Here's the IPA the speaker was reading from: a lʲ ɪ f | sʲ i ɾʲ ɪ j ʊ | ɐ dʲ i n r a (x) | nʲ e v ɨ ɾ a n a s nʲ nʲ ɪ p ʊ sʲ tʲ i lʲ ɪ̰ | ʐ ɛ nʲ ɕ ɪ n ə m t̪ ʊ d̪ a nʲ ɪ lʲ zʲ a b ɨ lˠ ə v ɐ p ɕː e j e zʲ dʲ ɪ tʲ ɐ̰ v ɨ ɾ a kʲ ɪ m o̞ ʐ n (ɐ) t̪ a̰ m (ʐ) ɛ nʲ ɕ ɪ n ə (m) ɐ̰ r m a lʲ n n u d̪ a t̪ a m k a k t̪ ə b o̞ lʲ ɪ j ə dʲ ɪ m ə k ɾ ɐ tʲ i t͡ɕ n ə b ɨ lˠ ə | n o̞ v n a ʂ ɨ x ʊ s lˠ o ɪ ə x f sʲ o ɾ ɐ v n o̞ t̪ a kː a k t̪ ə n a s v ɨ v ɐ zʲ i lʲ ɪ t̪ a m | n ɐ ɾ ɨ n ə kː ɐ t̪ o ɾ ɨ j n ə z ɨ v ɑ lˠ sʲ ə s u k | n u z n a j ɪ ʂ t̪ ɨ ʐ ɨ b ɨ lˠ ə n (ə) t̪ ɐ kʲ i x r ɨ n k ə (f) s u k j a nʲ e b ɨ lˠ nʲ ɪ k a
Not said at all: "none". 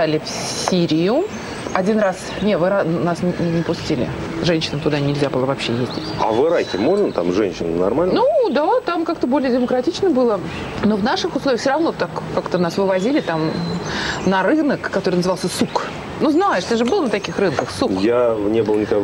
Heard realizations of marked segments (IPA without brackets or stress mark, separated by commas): s, ə, ʐ, n, ə, x